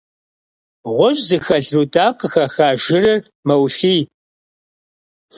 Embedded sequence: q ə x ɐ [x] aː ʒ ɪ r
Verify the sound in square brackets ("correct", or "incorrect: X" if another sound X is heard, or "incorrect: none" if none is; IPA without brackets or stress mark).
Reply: correct